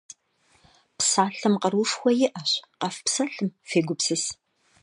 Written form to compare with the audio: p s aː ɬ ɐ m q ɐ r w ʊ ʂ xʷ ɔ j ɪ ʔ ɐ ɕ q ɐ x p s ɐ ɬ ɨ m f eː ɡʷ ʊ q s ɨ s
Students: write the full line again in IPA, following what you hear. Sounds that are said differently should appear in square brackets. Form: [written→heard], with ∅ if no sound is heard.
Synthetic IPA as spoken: p s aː ɬ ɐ m q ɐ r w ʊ ʂ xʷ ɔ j ɪ ʔ ɐ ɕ q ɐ [x→f] p s ɐ ɬ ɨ m f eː ɡʷ ʊ [q→p] s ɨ s